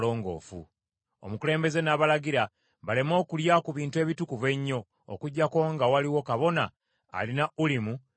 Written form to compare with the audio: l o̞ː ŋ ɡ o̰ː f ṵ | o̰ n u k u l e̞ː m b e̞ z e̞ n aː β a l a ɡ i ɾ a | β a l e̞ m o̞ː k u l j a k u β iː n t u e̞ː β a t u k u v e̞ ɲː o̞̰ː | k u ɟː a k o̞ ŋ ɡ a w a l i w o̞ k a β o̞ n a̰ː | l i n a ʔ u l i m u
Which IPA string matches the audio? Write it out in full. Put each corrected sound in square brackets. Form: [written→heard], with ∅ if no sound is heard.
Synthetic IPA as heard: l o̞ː ŋ ɡ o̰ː f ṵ | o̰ [n→m] u k u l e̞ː m b e̞ z e̞ n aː β a l a ɡ i ɾ a | β a l e̞ m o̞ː k u l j a k u β iː n t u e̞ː β [a→i] t u k u v e̞ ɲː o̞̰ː | k u ɟː a k o̞ ŋ ɡ a w a l i w o̞ k a β o̞ n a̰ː | l i n a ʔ u l i m u